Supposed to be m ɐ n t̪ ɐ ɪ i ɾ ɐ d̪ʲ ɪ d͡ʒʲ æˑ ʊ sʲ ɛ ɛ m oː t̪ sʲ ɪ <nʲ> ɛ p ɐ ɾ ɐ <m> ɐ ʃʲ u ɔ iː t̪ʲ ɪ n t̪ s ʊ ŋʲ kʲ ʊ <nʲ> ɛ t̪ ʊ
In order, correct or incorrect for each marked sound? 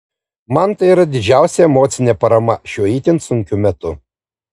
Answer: correct, correct, incorrect: mʲ

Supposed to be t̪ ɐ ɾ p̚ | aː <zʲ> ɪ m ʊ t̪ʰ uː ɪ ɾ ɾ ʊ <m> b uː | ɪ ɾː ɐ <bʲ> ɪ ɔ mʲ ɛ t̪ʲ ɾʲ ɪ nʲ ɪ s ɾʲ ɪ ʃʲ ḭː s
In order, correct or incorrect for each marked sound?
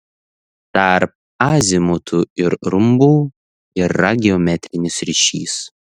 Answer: correct, correct, incorrect: ɡʲ

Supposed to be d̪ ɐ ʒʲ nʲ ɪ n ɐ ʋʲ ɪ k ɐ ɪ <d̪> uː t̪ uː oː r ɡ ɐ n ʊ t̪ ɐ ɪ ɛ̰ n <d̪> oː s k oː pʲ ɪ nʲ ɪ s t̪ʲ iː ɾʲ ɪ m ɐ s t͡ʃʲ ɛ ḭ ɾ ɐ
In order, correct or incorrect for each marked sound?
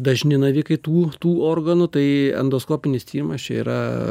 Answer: incorrect: t̪, correct

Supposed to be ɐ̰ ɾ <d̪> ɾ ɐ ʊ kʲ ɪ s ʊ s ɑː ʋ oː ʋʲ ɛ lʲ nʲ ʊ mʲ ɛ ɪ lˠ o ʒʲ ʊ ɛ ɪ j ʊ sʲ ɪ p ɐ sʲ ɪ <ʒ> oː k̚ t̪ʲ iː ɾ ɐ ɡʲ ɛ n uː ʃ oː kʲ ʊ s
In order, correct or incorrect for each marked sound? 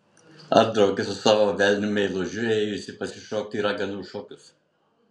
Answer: correct, incorrect: ʃ

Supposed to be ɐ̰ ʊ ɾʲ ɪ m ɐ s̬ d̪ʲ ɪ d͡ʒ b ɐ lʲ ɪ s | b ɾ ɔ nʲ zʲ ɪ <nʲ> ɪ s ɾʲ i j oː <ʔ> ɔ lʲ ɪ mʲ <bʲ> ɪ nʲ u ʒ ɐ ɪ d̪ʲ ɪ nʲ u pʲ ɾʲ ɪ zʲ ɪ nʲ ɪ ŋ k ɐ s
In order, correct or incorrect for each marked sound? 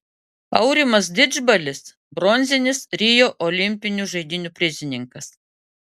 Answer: correct, correct, incorrect: pʲ

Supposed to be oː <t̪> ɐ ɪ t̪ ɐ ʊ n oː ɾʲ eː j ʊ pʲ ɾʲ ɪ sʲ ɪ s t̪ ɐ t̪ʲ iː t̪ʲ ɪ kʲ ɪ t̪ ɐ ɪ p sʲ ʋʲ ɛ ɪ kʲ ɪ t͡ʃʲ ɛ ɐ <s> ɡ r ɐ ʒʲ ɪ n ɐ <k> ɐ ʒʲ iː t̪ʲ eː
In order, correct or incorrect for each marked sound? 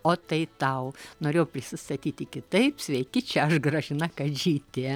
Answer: correct, incorrect: ʃ, correct

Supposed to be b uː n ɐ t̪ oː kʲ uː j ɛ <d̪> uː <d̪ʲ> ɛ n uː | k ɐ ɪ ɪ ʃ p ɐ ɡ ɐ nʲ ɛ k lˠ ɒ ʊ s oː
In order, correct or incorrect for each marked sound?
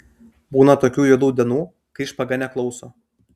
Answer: correct, correct

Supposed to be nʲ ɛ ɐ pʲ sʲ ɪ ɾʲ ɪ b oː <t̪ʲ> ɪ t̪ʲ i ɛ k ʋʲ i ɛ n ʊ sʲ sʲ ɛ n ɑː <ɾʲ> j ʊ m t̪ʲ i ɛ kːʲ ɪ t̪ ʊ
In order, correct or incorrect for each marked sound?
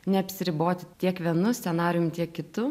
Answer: correct, correct

